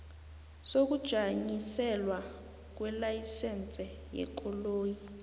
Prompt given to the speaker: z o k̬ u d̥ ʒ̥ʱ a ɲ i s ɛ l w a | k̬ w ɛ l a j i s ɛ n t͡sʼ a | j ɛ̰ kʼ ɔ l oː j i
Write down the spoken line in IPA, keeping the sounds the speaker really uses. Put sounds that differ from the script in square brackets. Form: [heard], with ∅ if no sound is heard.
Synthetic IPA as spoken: [s] o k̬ u d̥ ʒ̥ʱ a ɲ i s ɛ l w a | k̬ w ɛ l a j i s ɛ n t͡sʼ [ɛ] | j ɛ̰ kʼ ɔ l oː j i

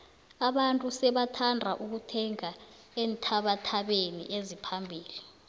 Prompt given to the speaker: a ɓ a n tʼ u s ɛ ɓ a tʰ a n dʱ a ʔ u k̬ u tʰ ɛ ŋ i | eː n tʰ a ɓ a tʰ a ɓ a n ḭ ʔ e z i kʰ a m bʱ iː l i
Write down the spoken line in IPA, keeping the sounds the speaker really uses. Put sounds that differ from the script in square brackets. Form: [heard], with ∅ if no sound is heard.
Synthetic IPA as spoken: a ɓ a n tʼ u s ɛ ɓ a tʰ a n dʱ a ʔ u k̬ u tʰ ɛ ŋ [a] | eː n tʰ a ɓ a tʰ a ɓ [e] n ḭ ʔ e z i [pʰ] a m bʱ iː l i

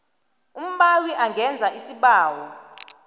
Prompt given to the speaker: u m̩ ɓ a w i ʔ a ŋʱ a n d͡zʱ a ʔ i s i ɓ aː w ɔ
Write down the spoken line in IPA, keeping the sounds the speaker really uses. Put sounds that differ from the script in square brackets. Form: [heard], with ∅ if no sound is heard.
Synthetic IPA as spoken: u m̩ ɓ a w i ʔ a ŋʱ [ɛ] n d͡zʱ a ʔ i s i ɓ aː w ɔ

